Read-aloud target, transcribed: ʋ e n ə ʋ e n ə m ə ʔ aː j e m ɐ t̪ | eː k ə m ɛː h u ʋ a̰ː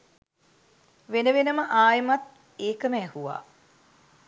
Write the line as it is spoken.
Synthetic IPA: ʋ e n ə ʋ e n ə m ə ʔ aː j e m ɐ t̪ | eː k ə m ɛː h u ʋ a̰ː